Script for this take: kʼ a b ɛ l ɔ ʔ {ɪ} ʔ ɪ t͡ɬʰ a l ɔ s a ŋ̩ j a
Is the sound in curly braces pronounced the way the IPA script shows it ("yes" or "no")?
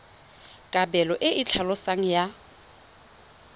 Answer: yes